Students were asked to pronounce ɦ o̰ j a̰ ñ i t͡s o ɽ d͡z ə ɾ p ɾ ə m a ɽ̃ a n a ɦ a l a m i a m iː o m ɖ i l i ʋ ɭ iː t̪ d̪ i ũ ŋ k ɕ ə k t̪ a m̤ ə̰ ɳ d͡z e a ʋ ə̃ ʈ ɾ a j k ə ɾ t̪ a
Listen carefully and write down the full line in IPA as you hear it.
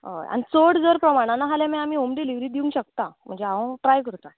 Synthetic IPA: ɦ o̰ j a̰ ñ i t͡s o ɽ d͡z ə ɾ p ɾ ə m a ɽ̃ a n a ɦ a l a m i a m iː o m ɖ i l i ʋ ɾ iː d̪ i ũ ŋ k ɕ ə k t̪ a m̤ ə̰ ɳ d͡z e a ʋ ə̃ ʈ ɾ a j k ə ɾ t̪ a